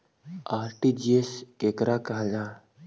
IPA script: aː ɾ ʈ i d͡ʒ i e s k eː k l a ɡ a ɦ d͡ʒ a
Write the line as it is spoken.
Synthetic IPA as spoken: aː ɾ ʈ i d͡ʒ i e s k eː k ɾ a k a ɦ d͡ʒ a